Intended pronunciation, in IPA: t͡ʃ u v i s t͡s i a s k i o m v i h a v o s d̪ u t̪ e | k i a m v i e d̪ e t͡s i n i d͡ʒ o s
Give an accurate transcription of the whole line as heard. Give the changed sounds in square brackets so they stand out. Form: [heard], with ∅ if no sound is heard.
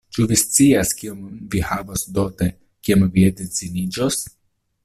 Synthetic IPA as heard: t͡ʃ u v i s t͡s i a s k i o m v i h a v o s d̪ [o] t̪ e | k i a m v i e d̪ e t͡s i n i d͡ʒ o s

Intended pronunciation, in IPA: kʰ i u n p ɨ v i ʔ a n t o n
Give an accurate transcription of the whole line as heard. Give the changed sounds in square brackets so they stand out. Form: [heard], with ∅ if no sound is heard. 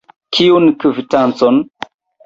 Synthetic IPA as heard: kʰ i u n [k] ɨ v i [t] a n [t͡s] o n

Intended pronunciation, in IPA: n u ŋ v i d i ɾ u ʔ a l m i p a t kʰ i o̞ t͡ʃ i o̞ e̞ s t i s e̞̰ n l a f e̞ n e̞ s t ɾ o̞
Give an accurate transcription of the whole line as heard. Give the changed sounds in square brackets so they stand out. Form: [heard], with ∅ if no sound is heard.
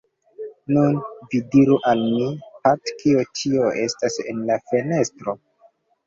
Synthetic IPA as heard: n u [n] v i d i ɾ u ʔ a l m i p a t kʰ i o̞ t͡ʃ i o̞ e̞ s t [a] s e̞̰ n l a f e̞ n e̞ s t ɾ o̞

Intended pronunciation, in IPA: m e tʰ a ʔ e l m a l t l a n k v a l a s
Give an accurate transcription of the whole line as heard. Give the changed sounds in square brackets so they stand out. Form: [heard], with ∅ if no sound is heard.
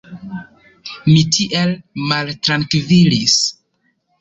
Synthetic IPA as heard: m [i] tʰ [i] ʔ e l m a l t [ɾ] a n k v [i] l [i] s

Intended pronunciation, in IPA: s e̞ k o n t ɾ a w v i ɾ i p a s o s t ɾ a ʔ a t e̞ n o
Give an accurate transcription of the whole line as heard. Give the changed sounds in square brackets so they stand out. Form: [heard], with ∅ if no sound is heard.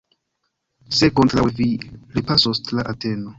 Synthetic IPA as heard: s e̞ k o n t ɾ a w v i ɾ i p a s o s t [l] a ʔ a t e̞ n o

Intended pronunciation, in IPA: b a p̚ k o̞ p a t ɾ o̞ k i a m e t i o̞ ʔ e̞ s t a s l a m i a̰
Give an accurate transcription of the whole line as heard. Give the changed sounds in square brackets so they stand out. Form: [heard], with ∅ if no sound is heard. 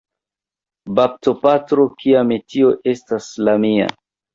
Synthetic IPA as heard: b a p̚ [t] o̞ p a t ɾ o̞ k i a m e t i o̞ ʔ e̞ s t a s l a m i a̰

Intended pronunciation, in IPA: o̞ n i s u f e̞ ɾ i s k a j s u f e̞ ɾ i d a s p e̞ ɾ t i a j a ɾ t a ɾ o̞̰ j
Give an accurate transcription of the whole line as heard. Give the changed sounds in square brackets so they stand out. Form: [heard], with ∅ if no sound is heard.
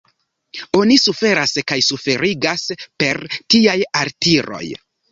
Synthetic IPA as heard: o̞ n i s u f e̞ ɾ [a] s k a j s u f e̞ ɾ i [ɡ] a s p e̞ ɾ t i a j a ɾ t [i] ɾ o̞̰ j

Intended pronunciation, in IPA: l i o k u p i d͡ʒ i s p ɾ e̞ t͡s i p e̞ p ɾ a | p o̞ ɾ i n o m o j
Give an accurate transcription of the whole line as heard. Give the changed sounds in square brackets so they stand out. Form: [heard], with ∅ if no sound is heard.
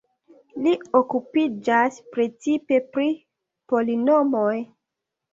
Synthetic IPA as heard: l i o k u p i d͡ʒ [a] s p ɾ e̞ t͡s i p e̞ p ɾ [i] | p o̞ [l] i n o m o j

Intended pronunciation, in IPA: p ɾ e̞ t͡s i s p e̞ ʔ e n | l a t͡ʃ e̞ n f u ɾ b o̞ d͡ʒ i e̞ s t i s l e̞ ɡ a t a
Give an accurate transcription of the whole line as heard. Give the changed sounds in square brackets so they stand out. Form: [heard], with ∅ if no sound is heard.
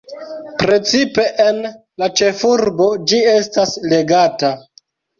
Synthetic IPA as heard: p ɾ e̞ t͡s i [∅] p e̞ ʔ e n | l a t͡ʃ e̞ [∅] f u ɾ b o̞ d͡ʒ i e̞ s t [a] s l e̞ ɡ a t a

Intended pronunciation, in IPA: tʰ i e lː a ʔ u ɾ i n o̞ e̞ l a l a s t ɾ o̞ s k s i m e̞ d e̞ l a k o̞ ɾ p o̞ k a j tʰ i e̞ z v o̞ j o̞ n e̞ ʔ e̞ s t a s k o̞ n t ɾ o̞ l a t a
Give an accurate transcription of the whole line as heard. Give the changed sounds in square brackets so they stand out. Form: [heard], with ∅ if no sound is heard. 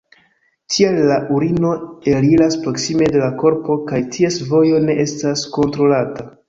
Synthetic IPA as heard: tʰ i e lː a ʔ u ɾ i n o̞ e̞ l [i] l a s [p] ɾ o̞ [∅] k s i m e̞ d e̞ l a k o̞ ɾ p o̞ k a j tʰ i e̞ [s] v o̞ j o̞ n e̞ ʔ e̞ s t a s k o̞ n t ɾ o̞ l a t a

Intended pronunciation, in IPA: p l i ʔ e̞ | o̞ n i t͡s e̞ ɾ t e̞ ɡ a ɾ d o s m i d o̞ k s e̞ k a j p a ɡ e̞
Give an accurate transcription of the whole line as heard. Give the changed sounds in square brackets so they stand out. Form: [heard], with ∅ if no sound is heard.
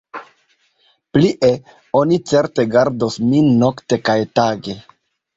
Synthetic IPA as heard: p l i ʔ e̞ | o̞ n i t͡s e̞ ɾ t e̞ ɡ a ɾ d o s m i [n] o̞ k [t] e̞ k a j [t] a ɡ e̞

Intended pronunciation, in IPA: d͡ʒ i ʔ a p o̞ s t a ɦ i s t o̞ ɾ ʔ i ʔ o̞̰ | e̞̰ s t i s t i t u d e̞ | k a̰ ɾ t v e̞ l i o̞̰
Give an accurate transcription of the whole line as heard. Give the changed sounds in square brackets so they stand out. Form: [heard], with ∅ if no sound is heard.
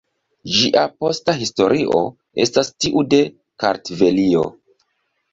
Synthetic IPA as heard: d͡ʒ i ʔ a p o̞ s t a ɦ i s t o̞ ɾ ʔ i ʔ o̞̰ | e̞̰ s t [a] s t i [ʔ] u d e̞ | k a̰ ɾ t v e̞ l i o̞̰

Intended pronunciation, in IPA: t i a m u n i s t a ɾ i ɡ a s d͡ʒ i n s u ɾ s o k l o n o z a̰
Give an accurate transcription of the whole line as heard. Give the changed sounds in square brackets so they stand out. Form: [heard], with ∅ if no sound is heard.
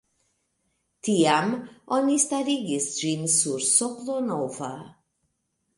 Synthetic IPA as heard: t i a m [o] n i s t a ɾ i ɡ [i] s d͡ʒ i n s u ɾ s o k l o n o [v] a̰

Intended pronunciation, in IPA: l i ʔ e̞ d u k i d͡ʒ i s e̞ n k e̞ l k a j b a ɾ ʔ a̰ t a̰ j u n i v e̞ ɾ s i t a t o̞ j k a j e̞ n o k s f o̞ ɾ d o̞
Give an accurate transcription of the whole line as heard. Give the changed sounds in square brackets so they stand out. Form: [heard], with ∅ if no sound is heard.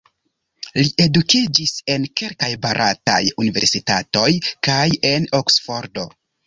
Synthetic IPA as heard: l i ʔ e̞ d u k i d͡ʒ i s e̞ n k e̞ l k a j b a ɾ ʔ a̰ t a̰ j u n i v e̞ ɾ s i t a t o̞ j k a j e̞ n o k s f o̞ ɾ d o̞

